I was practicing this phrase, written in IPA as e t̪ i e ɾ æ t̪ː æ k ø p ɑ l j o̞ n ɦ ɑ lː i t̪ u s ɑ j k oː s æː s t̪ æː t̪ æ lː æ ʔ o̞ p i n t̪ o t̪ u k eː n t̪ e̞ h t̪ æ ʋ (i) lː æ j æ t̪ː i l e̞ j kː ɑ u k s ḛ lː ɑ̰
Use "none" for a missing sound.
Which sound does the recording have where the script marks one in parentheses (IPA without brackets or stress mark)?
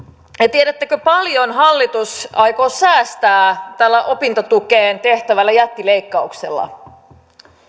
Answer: æ